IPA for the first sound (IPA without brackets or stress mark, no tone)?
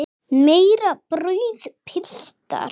m